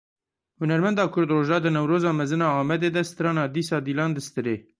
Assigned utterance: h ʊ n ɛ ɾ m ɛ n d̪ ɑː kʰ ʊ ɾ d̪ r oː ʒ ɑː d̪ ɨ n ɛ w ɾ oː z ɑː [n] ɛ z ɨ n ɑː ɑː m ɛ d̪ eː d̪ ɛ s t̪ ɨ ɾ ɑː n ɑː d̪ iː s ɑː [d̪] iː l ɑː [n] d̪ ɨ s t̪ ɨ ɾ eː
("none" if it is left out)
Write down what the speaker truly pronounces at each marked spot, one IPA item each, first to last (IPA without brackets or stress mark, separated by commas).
m, d̪, n